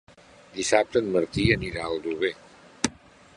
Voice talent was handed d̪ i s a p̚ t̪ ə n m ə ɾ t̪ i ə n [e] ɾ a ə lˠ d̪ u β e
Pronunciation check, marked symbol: incorrect: i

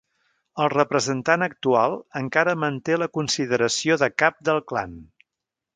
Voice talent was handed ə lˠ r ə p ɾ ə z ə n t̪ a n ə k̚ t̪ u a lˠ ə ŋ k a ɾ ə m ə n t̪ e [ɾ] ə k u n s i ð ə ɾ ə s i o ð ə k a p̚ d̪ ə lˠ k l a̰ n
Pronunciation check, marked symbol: incorrect: l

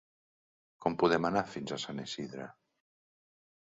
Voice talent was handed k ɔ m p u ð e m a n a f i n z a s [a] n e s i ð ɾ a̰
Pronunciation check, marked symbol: correct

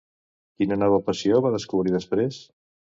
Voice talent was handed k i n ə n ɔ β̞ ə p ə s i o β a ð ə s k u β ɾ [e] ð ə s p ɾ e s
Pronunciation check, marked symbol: incorrect: i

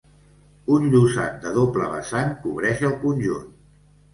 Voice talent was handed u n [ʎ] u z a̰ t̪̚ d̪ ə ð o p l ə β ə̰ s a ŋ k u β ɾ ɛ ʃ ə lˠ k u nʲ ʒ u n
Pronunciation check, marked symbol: correct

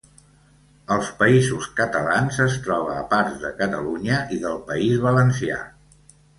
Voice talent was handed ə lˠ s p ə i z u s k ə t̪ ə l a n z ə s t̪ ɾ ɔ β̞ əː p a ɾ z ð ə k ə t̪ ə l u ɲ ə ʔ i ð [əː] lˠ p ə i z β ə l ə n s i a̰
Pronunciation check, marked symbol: incorrect: ə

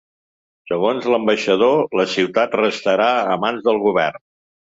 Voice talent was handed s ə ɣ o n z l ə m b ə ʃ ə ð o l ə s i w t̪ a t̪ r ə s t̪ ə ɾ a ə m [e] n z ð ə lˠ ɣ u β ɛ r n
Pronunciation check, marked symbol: incorrect: a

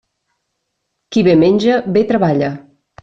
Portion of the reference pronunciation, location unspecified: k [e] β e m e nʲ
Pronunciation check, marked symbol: incorrect: i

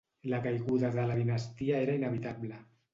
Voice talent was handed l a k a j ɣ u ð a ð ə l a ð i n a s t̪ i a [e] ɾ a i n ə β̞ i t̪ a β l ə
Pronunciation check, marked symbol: correct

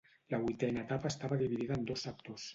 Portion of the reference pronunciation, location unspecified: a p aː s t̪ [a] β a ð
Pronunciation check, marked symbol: correct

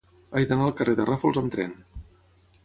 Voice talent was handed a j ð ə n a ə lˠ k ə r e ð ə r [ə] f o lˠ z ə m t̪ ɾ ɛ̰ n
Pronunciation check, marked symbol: incorrect: a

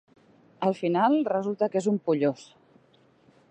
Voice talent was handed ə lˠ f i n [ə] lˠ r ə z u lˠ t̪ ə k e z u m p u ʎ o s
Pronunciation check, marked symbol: incorrect: a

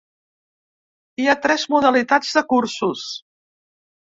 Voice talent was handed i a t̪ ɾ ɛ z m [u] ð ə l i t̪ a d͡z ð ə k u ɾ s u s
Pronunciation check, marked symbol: correct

